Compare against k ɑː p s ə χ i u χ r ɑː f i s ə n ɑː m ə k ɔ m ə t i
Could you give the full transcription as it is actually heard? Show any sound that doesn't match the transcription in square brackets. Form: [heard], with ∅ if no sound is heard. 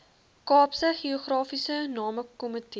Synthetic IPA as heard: k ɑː p s ə χ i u χ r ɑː f i s ə n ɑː m ə k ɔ m ə t i